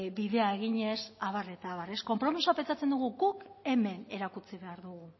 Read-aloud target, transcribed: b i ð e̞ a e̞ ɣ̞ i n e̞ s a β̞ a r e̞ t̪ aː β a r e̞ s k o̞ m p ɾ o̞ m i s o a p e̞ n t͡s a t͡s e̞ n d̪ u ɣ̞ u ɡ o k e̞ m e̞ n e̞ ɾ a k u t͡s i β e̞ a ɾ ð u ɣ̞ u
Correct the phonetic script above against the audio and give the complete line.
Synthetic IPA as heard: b i ð e̞ a e̞ ɣ̞ i ɲ e̞ s a β̞ a r e̞ t̪ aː β a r e̞ s k o̞ m p ɾ o̞ m i s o a p e̞ n t͡s a t͡s e̞ n d̪ u ɣ̞ u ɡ u k e̞ m e̞ n e̞ ɾ a k u t͡s i β e̞ a ɾ ð u ɣ̞ u